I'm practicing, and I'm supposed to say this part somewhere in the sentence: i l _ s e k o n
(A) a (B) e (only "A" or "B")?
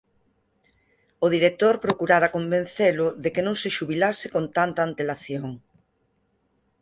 A